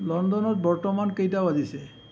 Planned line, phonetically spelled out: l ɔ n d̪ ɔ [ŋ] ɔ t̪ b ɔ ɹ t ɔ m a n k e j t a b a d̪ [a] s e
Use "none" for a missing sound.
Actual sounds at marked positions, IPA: n, i

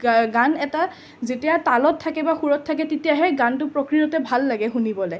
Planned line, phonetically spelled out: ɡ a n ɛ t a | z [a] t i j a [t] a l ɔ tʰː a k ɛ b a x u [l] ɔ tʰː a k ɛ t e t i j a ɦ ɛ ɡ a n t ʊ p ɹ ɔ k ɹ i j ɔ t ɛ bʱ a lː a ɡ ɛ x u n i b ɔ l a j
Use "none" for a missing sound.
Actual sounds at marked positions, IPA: e, t, ɹ

